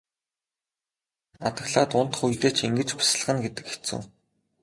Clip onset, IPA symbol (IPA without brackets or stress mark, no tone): a